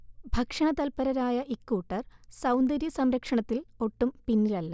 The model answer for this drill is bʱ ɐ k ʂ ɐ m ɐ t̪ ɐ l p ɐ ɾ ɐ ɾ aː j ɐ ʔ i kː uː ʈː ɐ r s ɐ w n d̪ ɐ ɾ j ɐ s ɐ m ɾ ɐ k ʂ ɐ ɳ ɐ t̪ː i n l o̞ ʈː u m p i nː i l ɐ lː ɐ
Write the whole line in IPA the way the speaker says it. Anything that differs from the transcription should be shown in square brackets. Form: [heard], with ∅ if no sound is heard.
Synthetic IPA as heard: bʱ ɐ k ʂ ɐ [ɳ] ɐ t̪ ɐ l p ɐ ɾ ɐ ɾ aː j ɐ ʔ i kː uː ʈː ɐ r s ɐ w n d̪ ɐ ɾ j ɐ s ɐ m ɾ ɐ k ʂ ɐ ɳ ɐ t̪ː i [∅] l o̞ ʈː u m p i nː i l ɐ lː ɐ

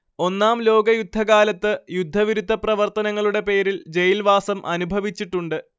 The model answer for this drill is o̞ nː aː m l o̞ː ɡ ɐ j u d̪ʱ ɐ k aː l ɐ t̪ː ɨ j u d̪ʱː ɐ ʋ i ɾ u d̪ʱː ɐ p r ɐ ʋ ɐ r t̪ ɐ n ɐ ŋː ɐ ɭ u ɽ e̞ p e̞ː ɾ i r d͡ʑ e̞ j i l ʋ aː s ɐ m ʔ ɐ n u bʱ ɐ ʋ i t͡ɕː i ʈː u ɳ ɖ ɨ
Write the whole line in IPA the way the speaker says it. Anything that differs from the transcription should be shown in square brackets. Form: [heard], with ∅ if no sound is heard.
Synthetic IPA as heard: o̞ nː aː m l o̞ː ɡ ɐ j u [d̪ʱː] ɐ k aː l ɐ t̪ː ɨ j u d̪ʱː ɐ ʋ i ɾ u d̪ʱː ɐ p r ɐ ʋ ɐ r t̪ ɐ n ɐ ŋː ɐ ɭ u ɽ e̞ p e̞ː ɾ i [l] d͡ʑ e̞ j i l ʋ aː s ɐ m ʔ ɐ n u bʱ ɐ ʋ i t͡ɕː i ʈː u ɳ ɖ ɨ

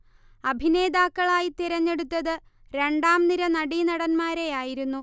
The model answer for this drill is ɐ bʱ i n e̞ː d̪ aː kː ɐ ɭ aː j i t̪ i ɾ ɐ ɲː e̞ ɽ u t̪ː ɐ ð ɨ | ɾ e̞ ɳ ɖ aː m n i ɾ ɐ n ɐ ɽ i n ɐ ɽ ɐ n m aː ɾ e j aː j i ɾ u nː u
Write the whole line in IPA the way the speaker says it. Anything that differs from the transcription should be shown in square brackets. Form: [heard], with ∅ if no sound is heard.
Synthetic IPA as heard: ɐ bʱ i n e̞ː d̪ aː kː ɐ ɭ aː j i t̪ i ɾ ɐ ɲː e̞ ɽ u t̪ː ɐ ð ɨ | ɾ e̞ ɳ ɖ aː m n i ɾ ɐ n ɐ ɽ i n ɐ ɽ ɐ n m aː ɾ e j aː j i ɾ u nː u

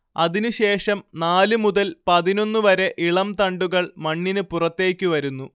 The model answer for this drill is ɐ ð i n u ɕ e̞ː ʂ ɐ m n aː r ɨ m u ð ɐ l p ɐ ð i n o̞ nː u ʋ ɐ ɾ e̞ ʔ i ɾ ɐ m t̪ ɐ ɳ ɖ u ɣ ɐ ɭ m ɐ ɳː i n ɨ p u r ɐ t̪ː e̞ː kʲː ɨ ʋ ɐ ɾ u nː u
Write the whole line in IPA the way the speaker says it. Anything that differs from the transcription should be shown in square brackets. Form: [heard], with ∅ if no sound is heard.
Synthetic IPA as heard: ɐ ð i n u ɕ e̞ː ʂ ɐ m n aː [l] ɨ m u ð ɐ l p ɐ ð i n o̞ nː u ʋ ɐ ɾ e̞ ʔ i [ɭ] ɐ m t̪ ɐ ɳ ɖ u ɣ ɐ ɭ m ɐ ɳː i n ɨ p u r ɐ t̪ː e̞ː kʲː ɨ ʋ ɐ ɾ u nː u

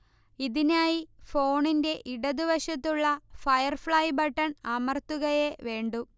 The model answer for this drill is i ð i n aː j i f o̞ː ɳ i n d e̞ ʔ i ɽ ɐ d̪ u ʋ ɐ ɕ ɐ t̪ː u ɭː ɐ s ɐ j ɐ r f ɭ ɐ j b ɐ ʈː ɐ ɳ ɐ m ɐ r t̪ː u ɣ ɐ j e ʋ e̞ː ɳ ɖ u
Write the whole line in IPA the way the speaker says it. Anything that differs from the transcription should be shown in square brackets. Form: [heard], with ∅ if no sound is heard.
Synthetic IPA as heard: i ð i n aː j i f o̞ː ɳ i n d e̞ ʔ i ɽ ɐ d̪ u ʋ ɐ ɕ ɐ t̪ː u ɭː ɐ [f] ɐ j ɐ r f ɭ ɐ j b ɐ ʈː ɐ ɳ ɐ m ɐ r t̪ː u ɣ ɐ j e ʋ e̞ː ɳ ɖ u

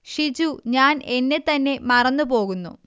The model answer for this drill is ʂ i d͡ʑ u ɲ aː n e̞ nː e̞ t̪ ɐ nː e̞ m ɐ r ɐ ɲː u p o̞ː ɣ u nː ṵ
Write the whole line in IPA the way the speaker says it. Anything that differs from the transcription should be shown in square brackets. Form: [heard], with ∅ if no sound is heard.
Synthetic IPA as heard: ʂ i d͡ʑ u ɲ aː n e̞ nː e̞ t̪ ɐ nː e̞ m ɐ r ɐ [nː] u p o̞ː ɣ u nː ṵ

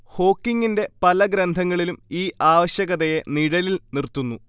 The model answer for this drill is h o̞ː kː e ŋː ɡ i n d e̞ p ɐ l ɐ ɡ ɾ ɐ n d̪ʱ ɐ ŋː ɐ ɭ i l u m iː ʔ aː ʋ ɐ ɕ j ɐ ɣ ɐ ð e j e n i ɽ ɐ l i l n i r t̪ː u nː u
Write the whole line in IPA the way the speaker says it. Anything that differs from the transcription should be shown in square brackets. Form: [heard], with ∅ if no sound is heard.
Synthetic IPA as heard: h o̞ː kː [i] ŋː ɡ i n d e̞ p ɐ l ɐ ɡ ɾ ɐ n d̪ʱ ɐ ŋː ɐ ɭ i l u m iː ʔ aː ʋ ɐ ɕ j ɐ ɣ ɐ ð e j e n i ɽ ɐ l i l n i r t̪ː u nː u

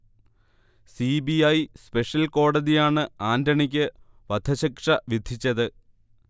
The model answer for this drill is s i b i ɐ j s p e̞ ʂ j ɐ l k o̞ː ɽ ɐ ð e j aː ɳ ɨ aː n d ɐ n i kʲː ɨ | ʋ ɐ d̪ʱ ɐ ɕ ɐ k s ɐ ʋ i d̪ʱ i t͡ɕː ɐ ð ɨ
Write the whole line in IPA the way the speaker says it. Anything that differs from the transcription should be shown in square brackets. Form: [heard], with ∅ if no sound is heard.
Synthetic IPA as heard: s i b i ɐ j s p e̞ ʂ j ɐ l k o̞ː ɽ ɐ ð [i] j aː ɳ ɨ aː n d ɐ [ɳ] i kʲː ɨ | ʋ ɐ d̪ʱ ɐ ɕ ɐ k [ʂ] ɐ ʋ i d̪ʱ i t͡ɕː ɐ ð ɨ

